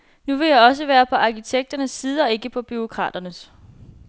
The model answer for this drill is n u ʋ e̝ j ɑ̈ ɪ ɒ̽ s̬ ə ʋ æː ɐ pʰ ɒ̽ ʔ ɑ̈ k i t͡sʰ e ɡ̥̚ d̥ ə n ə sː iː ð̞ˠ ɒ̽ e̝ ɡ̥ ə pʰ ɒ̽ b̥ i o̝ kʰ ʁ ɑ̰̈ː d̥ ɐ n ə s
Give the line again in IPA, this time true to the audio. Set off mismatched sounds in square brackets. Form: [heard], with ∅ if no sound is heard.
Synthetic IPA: n u ʋ e̝ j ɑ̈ ɪ ɒ̽ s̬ ə ʋ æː ɐ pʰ ɒ̽ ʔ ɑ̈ k i t͡sʰ e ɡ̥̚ d̥ [ɐ] n ə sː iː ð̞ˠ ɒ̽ e̝ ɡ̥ ə pʰ ɒ̽ b̥ [y] o̝ kʰ ʁ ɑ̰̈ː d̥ ɐ n ə s